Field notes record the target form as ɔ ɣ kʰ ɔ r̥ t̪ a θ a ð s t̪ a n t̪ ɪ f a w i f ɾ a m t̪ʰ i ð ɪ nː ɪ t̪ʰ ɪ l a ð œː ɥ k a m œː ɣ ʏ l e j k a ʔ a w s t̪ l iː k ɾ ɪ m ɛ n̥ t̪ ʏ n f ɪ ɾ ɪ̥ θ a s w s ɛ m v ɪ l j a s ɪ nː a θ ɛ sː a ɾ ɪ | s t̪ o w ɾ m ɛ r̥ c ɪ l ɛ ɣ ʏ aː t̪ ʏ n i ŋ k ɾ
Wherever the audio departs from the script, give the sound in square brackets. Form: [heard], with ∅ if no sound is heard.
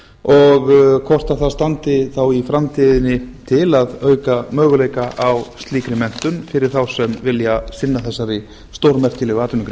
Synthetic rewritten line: ɔ ɣ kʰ ɔ r̥ t̪ a θ a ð s t̪ a n t̪ ɪ [θ] a w i f ɾ a m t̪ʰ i ð ɪ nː ɪ t̪ʰ ɪ l a ð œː ɥ k a m œː ɣ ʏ l e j k a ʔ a w s t̪ l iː k ɾ ɪ m ɛ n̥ t̪ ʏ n f ɪ ɾ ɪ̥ θ a [∅] w s ɛ m v ɪ l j a s ɪ nː a θ ɛ sː a ɾ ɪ | s t̪ o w ɾ m ɛ r̥ c ɪ l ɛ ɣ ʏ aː t̪ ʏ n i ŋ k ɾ